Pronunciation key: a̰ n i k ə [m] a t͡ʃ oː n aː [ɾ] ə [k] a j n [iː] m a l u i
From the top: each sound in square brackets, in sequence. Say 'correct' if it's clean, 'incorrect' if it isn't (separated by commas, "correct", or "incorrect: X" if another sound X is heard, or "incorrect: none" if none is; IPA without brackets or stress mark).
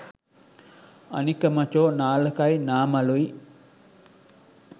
correct, incorrect: l, correct, incorrect: aː